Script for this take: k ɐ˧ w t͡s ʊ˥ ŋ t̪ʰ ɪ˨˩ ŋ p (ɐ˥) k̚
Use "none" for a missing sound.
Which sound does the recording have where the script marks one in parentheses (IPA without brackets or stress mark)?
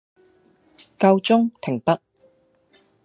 ɐ˥